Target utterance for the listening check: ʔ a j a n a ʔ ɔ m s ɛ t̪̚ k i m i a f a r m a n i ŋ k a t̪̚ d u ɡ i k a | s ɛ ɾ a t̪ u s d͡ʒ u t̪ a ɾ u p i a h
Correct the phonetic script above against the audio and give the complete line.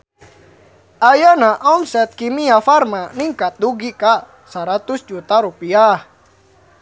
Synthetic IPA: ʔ a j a n a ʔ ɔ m s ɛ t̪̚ k i m i a f a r m a n i ŋ k a t̪̚ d u ɡ i k a | s a ɾ a t̪ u s d͡ʒ u t̪ a ɾ u p i a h